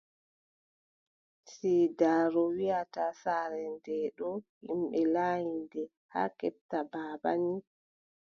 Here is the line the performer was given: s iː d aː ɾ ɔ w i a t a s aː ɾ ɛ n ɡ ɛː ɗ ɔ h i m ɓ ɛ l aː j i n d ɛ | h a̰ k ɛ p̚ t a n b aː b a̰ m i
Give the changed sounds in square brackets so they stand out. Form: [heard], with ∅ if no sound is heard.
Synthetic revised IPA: s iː d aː ɾ ɔ w i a t a s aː ɾ ɛ n [d] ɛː ɗ ɔ h i m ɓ ɛ l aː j i n d ɛ | h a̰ k ɛ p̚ t a [∅] b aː b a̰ [n] i